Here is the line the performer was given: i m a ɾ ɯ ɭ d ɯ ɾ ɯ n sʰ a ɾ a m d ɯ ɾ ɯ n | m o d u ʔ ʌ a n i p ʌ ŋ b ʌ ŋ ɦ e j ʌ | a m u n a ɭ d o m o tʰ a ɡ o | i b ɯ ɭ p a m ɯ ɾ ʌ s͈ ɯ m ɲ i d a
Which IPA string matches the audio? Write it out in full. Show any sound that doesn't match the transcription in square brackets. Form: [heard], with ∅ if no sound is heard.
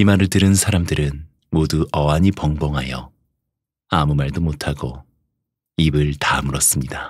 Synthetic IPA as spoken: i m a ɾ ɯ ɭ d ɯ ɾ ɯ n sʰ a ɾ a m d ɯ ɾ ɯ n | m o d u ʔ ʌ a [ɲ] i p ʌ ŋ b ʌ ŋ ɦ [a] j ʌ | a m u [m] a ɭ d o m o tʰ a ɡ o | i b ɯ ɭ [t] a m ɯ ɾ ʌ s͈ ɯ m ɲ i d a